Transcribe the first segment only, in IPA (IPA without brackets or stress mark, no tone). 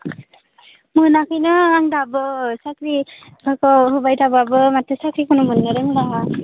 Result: m